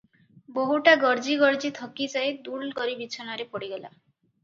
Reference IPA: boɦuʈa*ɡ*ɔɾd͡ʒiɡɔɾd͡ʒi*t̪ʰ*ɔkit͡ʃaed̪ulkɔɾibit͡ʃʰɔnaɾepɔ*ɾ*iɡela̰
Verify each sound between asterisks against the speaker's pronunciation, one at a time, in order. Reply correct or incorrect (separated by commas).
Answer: correct, correct, incorrect